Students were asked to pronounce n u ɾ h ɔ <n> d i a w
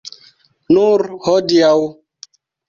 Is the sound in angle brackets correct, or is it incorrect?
incorrect